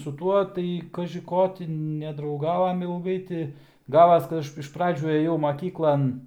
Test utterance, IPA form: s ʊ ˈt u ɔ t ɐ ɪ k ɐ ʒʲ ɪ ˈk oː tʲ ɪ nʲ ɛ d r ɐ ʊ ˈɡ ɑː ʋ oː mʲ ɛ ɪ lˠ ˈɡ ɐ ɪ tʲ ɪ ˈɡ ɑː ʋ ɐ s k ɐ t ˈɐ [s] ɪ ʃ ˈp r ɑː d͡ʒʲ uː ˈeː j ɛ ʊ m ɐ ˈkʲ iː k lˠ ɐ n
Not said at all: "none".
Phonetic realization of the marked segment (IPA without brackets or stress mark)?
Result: ʃ